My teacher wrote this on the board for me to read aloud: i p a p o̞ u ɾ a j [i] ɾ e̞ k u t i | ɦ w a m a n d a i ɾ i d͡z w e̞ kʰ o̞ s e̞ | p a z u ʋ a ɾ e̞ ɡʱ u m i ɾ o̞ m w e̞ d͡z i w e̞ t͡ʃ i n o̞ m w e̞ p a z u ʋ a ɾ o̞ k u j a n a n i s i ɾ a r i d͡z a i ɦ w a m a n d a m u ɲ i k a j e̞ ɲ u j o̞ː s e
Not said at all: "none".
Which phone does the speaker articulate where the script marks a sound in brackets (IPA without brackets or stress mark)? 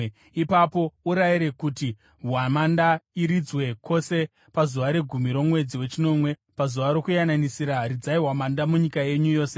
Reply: i